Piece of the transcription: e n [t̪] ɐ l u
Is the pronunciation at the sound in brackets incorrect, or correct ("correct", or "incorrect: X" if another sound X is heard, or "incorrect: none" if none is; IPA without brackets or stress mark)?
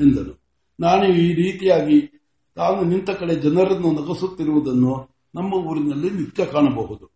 incorrect: d̪